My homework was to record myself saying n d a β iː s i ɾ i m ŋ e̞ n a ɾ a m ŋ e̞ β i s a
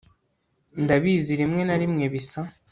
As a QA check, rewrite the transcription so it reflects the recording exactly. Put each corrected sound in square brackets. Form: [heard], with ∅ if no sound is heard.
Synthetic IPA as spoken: n d a β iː [z] i ɾ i m ŋ e̞ n a ɾ [i] m ŋ e̞ β i s a